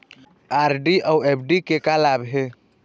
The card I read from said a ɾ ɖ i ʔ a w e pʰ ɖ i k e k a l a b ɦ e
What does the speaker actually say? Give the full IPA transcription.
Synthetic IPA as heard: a ɾ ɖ i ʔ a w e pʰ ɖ i k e k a l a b ɦ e